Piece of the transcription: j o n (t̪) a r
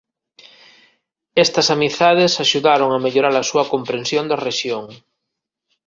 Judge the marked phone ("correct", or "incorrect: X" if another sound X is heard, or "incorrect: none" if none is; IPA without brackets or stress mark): incorrect: d̪